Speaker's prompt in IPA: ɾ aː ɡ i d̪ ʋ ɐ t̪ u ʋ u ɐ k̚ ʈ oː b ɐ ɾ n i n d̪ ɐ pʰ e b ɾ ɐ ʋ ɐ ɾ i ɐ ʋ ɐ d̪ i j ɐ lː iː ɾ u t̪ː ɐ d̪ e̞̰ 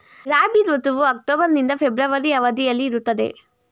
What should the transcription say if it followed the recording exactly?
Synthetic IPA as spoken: ɾ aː b i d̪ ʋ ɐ t̪ u ʋ u ɐ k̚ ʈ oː b ɐ ɾ n i n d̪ ɐ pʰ e b ɾ ɐ ʋ ɐ ɾ i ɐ ʋ ɐ d̪ i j ɐ lː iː ɾ u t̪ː ɐ d̪ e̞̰